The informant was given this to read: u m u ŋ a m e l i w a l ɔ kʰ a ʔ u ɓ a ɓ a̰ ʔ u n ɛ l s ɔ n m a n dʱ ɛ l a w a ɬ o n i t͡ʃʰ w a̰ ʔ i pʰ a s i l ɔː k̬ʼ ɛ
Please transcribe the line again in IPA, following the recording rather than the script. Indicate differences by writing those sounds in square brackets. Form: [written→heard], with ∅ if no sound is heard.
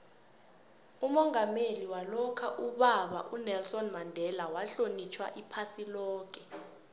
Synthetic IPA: u m [u→ɔ] ŋ a m e l i w a l ɔ kʰ a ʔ u ɓ a ɓ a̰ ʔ u n ɛ l s ɔ n m a n dʱ ɛ l a w a ɬ o n i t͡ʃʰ w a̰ ʔ i pʰ a s i l ɔː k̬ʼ ɛ